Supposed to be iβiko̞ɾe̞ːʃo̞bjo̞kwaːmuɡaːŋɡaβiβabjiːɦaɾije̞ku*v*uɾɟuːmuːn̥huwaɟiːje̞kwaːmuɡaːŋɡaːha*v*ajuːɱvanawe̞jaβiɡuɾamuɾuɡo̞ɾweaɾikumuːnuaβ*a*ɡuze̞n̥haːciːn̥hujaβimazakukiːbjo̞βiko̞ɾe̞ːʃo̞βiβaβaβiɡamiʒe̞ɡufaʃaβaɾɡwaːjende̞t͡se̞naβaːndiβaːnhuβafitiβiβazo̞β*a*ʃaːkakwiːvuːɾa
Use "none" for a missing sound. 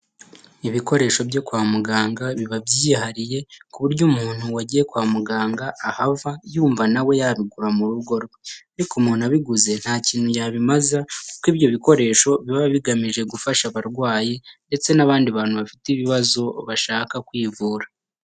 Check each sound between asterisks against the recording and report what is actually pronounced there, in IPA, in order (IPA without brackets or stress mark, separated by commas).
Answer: β, v, i, a